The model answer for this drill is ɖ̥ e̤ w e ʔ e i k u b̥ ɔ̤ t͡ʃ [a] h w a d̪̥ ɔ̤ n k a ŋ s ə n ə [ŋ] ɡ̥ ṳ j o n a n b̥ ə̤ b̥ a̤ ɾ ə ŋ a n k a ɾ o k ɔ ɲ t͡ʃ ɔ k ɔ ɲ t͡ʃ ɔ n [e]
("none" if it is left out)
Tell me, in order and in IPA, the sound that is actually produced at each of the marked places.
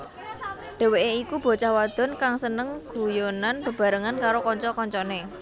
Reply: a, ŋ, e

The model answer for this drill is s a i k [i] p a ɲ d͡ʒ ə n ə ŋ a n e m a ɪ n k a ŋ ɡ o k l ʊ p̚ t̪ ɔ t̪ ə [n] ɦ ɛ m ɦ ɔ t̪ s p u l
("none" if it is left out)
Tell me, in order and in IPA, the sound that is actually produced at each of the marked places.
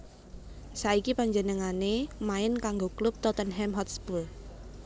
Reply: i, n

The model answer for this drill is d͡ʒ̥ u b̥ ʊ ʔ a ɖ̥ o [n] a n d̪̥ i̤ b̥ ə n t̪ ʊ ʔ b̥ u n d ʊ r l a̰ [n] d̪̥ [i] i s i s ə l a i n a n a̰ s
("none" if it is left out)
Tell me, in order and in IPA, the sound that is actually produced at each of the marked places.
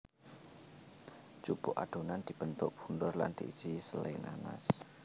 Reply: n, n, i

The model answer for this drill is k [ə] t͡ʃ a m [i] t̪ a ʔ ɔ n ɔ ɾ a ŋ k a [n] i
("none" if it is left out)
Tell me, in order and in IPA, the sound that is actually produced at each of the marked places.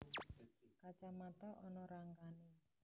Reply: a, a, n

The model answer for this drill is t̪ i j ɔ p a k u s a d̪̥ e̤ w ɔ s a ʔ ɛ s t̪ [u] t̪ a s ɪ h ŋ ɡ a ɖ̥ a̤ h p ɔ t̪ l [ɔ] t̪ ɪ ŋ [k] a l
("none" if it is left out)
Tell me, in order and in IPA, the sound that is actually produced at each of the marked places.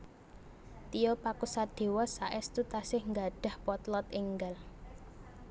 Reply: u, ɔ, ɡ

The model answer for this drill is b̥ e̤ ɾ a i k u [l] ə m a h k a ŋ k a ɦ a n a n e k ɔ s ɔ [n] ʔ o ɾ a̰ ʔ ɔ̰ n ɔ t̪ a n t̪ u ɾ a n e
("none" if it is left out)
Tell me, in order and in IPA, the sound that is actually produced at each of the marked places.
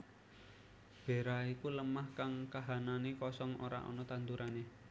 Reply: l, ŋ

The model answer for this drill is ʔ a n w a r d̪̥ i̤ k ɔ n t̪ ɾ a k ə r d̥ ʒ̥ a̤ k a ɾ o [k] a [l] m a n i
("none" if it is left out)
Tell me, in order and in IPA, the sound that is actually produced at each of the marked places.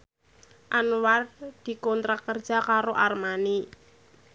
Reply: ʔ, r

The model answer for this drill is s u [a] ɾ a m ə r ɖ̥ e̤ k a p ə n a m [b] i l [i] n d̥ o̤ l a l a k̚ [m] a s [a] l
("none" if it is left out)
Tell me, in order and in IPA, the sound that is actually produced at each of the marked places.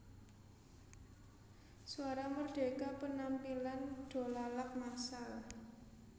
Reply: a, p, a, m, a

